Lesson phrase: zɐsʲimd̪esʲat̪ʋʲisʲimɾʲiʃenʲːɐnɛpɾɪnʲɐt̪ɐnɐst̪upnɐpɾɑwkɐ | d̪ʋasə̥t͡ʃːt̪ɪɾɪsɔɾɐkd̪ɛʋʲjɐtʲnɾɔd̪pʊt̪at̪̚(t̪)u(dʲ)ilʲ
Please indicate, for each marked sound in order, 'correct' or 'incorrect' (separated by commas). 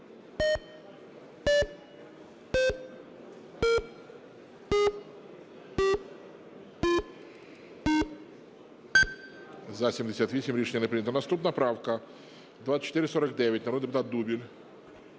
incorrect, incorrect